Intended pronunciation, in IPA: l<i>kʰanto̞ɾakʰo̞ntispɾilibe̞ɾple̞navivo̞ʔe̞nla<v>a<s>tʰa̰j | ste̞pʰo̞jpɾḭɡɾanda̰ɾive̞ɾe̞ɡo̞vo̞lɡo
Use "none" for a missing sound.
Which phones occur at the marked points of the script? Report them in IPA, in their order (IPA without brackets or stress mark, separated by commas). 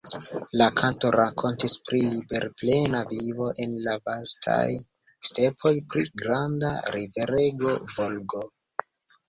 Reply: a, v, s